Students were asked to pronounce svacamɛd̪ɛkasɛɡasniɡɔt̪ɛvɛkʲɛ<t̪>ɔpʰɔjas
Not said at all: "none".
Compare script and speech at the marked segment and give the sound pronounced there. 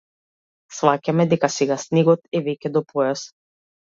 d̪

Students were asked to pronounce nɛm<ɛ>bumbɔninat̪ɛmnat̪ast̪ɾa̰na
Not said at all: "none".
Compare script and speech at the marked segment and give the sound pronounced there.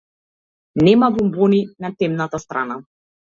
a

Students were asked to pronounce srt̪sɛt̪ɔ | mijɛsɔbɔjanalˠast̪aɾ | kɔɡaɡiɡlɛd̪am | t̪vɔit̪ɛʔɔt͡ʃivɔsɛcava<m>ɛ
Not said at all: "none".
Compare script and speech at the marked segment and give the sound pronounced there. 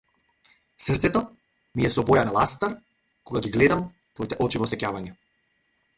ɲ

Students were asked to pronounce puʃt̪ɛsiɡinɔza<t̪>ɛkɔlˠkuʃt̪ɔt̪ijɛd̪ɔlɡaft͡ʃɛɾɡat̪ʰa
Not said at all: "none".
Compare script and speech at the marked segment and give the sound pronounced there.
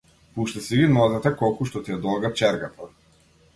t̪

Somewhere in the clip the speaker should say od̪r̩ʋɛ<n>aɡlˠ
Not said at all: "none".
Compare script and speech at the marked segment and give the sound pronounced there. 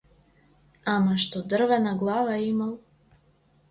n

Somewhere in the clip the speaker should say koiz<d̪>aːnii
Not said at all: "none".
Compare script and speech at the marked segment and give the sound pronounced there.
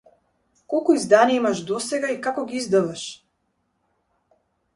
d̪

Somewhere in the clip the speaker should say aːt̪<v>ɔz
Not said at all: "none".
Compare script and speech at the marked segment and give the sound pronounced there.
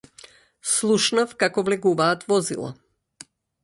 v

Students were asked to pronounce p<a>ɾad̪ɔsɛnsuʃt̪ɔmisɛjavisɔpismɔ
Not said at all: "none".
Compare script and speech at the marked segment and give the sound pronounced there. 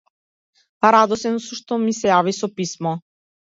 a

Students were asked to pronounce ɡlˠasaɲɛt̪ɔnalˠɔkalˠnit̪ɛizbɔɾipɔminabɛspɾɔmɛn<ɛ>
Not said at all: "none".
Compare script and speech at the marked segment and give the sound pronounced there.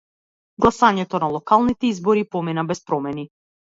i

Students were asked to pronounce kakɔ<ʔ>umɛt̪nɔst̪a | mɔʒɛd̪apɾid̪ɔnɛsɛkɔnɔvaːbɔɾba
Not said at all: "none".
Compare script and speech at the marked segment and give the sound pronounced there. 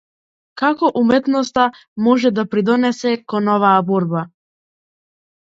ʔ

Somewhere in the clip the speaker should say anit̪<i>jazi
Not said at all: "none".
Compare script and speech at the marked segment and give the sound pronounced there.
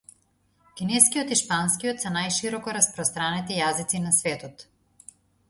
i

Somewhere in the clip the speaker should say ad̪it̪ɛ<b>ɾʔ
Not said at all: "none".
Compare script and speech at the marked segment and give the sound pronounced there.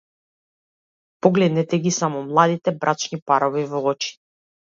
b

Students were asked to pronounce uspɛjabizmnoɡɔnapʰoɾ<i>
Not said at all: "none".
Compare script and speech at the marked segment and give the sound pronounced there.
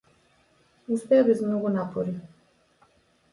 i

